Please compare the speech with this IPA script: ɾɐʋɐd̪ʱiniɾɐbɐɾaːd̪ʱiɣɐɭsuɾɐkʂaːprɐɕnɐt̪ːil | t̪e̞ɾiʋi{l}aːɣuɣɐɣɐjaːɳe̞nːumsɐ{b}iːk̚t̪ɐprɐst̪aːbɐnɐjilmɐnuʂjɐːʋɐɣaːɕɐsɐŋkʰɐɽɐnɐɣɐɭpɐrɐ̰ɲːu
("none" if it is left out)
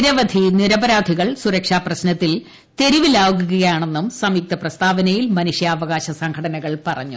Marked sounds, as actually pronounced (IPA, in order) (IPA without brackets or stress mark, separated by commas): l, m